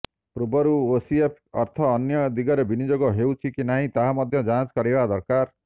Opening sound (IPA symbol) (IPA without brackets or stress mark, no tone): p